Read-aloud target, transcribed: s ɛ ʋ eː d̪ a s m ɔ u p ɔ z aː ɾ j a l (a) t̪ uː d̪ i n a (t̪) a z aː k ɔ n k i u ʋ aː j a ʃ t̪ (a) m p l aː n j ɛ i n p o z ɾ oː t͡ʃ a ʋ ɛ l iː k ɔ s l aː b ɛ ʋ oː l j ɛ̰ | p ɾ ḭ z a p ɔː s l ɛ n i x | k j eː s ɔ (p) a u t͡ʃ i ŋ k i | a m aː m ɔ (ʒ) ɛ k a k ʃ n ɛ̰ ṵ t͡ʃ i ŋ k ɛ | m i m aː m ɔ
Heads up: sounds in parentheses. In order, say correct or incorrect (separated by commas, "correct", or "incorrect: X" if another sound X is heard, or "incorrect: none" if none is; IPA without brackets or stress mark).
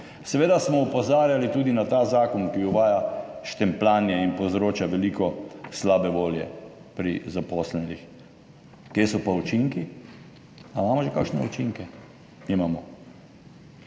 incorrect: i, correct, incorrect: ɛ, correct, correct